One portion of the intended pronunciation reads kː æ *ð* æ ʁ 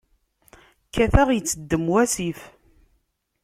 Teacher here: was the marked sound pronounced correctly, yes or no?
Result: no